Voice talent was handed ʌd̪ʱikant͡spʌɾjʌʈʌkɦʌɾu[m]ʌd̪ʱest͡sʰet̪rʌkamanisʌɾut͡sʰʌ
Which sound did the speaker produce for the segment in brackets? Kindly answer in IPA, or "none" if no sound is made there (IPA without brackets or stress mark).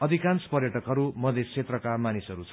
m